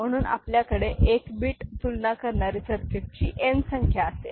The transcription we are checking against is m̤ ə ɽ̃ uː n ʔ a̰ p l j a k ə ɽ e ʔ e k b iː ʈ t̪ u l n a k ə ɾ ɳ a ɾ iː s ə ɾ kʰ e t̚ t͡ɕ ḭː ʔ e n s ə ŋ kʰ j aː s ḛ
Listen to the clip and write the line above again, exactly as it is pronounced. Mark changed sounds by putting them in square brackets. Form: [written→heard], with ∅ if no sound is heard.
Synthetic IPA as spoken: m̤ ə ɽ̃ uː n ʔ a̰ p l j a k ə ɽ e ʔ e k b iː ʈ t̪ u l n a k ə ɾ ɳ a ɾ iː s ə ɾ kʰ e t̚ t͡ɕ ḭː ʔ e n s ə ŋ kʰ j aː s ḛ